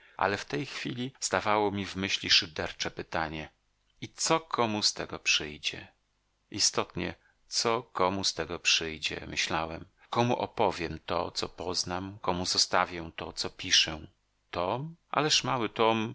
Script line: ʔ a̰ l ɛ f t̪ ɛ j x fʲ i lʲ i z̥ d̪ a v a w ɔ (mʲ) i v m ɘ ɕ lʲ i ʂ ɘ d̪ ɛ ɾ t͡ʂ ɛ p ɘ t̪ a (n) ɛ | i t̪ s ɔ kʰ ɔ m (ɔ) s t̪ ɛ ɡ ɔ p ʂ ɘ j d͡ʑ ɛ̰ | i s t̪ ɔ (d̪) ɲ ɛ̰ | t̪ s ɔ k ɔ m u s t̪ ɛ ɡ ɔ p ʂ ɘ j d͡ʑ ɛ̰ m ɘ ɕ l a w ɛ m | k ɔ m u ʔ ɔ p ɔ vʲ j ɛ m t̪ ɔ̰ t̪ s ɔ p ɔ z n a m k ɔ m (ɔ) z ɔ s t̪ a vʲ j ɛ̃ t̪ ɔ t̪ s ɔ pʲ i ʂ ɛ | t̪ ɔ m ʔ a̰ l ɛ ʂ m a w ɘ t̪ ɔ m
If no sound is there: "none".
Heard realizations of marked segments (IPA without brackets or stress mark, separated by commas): mʲ, ɲ, u, t̪, u